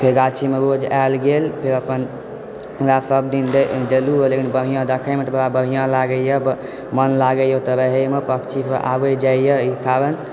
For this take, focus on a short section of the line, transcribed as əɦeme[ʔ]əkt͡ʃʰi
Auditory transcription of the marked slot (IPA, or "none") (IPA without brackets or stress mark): p